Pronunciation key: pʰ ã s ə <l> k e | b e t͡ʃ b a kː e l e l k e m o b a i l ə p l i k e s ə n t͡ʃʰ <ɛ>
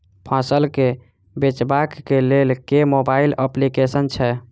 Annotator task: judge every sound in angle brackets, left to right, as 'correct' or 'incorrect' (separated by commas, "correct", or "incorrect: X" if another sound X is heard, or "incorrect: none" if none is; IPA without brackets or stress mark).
correct, correct